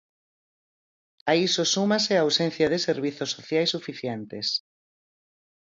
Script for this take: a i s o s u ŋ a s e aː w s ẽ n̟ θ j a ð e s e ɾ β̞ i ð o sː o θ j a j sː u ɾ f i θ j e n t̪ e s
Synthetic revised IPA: a i s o s u m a s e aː w s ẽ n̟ θ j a ð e s e ɾ β̞ i θ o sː o θ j a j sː u f i θ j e n t̪ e s